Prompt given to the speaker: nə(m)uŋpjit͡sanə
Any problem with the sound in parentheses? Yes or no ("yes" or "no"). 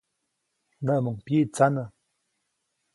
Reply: no